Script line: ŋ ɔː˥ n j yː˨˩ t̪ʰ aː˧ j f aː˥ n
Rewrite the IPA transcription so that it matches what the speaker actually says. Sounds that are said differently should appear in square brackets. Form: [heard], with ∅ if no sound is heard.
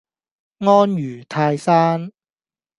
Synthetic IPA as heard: ŋ ɔː˥ n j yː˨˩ t̪ʰ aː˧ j [s] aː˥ n